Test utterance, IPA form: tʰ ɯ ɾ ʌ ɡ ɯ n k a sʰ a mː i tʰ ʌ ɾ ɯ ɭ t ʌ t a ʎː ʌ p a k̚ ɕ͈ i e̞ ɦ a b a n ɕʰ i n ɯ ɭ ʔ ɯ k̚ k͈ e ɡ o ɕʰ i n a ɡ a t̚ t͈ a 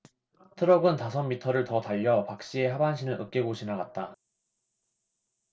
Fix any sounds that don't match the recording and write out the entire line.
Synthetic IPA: tʰ ɯ ɾ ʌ ɡ ɯ n t a sʰ ʌ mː i tʰ ʌ ɾ ɯ ɭ t ʌ t a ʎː ʌ p a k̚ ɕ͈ i e̞ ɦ a b a n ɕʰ i n ɯ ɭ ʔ ɯ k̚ k͈ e ɡ o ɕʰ i n a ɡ a t̚ t͈ a

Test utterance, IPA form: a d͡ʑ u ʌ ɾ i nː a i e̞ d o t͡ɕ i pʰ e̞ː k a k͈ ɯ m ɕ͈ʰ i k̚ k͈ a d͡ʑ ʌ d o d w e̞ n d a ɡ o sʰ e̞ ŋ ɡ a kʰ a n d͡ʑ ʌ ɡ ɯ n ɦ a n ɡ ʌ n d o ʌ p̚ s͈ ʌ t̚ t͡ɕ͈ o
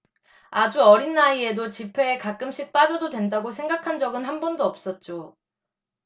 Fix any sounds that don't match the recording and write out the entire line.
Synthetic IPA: a d͡ʑ u ʌ ɾ i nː a i e̞ d o t͡ɕ i pʰ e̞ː k a k͈ ɯ m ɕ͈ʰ i k̚ p͈ a d͡ʑ ʌ d o d w e̞ n d a ɡ o sʰ e̞ ŋ ɡ a kʰ a n d͡ʑ ʌ ɡ ɯ n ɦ a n b ʌ n d o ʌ p̚ s͈ ʌ t̚ t͡ɕ͈ o

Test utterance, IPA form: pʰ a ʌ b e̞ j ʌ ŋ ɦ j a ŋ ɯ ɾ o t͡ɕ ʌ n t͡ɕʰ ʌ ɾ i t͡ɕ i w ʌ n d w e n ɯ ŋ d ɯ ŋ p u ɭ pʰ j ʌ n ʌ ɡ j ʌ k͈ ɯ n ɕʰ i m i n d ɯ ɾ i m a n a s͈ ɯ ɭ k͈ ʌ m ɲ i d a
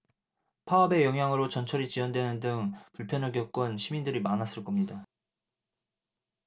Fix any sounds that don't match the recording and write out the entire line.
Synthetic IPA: pʰ a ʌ b e̞ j ʌ ŋ ɦ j a ŋ ɯ ɾ o t͡ɕ ʌ n t͡ɕʰ ʌ ɾ i t͡ɕ i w ʌ n d w e n ɯ n d ɯ ŋ p u ɭ pʰ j ʌ n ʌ ɡ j ʌ k͈ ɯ n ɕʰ i m i n d ɯ ɾ i m a n a s͈ ɯ ɭ k͈ ʌ m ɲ i d a

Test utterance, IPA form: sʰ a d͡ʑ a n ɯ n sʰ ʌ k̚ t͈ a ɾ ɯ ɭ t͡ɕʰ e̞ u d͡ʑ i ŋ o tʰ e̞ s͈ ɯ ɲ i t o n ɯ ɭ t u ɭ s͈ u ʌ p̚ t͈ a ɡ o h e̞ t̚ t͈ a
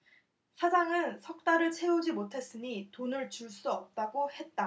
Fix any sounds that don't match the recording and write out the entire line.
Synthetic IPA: sʰ a d͡ʑ a ŋ ɯ n sʰ ʌ k̚ t͈ a ɾ ɯ ɭ t͡ɕʰ e̞ u d͡ʑ i m o tʰ e̞ s͈ ɯ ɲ i t o n ɯ ɭ t͡ɕ u ɭ s͈ u ʌ p̚ t͈ a ɡ o h e̞ t̚ t͈ a

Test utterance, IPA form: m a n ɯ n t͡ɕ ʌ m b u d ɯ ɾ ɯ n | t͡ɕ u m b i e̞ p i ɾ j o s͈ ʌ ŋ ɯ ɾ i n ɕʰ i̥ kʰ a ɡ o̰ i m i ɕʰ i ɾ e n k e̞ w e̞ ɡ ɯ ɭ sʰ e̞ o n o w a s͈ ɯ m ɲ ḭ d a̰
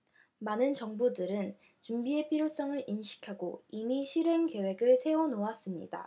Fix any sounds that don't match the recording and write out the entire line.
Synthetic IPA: m a n ɯ n t͡ɕ ʌ ŋ b u d ɯ ɾ ɯ n | t͡ɕ u m b i e̞ pʰ i ɾ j o s͈ ʌ ŋ ɯ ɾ i n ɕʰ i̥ kʰ a ɡ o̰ i m i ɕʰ i ɾ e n k e̞ w e̞ ɡ ɯ ɭ sʰ e̞ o n o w a s͈ ɯ m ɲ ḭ d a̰

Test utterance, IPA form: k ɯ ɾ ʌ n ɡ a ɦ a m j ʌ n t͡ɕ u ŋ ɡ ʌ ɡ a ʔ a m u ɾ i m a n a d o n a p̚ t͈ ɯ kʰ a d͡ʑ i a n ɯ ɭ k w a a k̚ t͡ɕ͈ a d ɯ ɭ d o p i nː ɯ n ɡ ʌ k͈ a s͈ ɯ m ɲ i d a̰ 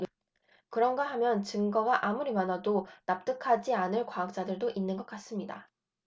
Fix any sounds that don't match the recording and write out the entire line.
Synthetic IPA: k ɯ ɾ ʌ n ɡ a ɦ a m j ʌ n t͡ɕ ɯ ŋ ɡ ʌ ɡ a ʔ a m u ɾ i m a n a d o n a p̚ t͈ ɯ kʰ a d͡ʑ i a n ɯ ɭ k w a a k̚ t͡ɕ͈ a d ɯ ɭ d o ʔ i nː ɯ n ɡ ʌ k͈ a s͈ ɯ m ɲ i d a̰

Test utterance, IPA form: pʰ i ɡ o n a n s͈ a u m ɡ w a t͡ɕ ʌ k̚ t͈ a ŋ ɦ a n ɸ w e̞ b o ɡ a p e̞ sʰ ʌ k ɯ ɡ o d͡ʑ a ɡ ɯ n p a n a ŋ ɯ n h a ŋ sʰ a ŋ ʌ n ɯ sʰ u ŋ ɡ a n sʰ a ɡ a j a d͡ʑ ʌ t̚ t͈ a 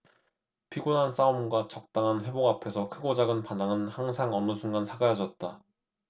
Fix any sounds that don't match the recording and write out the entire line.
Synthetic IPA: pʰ i ɡ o n a n s͈ a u m ɡ w a t͡ɕ ʌ k̚ t͈ a ŋ ɦ a n ɸ w e̞ b o ɡ a pʰ e̞ sʰ ʌ kʰ ɯ ɡ o d͡ʑ a ɡ ɯ n p a n a ŋ ɯ n h a ŋ sʰ a ŋ ʌ n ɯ sʰ u ŋ ɡ a n sʰ a ɡ a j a d͡ʑ ʌ t̚ t͈ a

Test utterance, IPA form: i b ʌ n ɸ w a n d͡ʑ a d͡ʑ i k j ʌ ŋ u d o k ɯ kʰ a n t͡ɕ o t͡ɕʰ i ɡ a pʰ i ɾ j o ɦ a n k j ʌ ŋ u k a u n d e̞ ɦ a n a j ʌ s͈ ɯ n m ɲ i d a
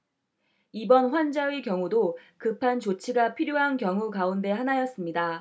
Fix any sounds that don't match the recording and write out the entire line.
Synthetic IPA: i b ʌ n ɸ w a n d͡ʑ a i k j ʌ ŋ u d o k ɯ pʰ a n t͡ɕ o t͡ɕʰ i ɡ a pʰ i ɾ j o ɦ a n k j ʌ ŋ u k a u n d e̞ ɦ a n a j ʌ s͈ ɯ m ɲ i d a

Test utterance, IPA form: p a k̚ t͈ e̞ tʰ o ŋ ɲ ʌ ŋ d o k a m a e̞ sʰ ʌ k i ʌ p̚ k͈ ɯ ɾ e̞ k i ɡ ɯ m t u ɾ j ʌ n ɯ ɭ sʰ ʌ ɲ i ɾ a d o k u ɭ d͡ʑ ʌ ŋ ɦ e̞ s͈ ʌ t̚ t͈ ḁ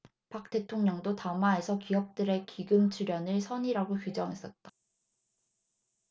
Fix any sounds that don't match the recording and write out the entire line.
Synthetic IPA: p a k̚ t͈ e̞ tʰ o ŋ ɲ ʌ ŋ d o t a m a e̞ sʰ ʌ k i ʌ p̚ t͈ ɯ ɾ e̞ k i ɡ ɯ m t͡ɕʰ u ɾ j ʌ n ɯ ɭ sʰ ʌ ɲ i ɾ a ɡ o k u d͡ʑ ʌ ŋ ɦ e̞ s͈ ʌ t̚ t͈ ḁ

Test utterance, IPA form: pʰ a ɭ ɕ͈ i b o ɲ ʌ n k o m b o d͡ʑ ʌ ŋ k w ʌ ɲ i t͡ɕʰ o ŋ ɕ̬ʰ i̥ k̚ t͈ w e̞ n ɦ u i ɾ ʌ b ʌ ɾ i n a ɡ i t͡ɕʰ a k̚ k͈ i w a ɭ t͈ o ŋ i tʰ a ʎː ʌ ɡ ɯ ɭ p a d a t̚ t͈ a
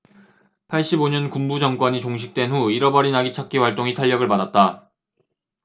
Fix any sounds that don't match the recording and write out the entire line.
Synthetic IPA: pʰ a ɭ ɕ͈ i b o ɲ ʌ n k u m b u d͡ʑ ʌ ŋ k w ʌ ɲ i t͡ɕ o ŋ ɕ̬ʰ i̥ k̚ t͈ w e̞ n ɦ u i ɾ ʌ b ʌ ɾ i n a ɡ i t͡ɕʰ a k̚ k͈ i w a ɭ t͈ o ŋ i tʰ a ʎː ʌ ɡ ɯ ɭ p a d a t̚ t͈ a

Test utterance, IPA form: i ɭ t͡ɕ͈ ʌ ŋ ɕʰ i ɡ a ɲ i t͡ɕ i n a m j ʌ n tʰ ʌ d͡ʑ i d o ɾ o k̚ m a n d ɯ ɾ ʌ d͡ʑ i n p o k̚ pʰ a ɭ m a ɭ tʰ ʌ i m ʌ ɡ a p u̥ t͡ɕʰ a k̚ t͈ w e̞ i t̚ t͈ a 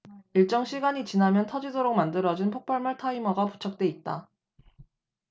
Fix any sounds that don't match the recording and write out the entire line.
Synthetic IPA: i ɭ t͡ɕ͈ ʌ ŋ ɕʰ i ɡ a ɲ i t͡ɕ i n a m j ʌ n tʰ ʌ d͡ʑ i d o ɾ o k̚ m a n d ɯ ɾ ʌ d͡ʑ i n pʰ o k̚ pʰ a ɭ m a ɭ tʰ a i m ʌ ɡ a p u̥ t͡ɕʰ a k̚ t͈ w e̞ i t̚ t͈ a

